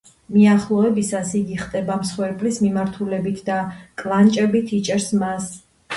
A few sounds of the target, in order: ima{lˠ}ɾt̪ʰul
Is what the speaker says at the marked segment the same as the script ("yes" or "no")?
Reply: no